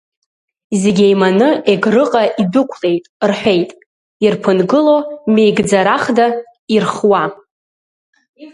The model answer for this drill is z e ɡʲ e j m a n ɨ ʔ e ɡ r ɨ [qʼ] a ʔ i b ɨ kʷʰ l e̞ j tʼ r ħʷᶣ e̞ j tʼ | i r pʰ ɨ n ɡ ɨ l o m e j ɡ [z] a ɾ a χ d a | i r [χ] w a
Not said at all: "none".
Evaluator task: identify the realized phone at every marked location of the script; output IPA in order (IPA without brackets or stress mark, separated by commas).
qʼ, d͡z, χ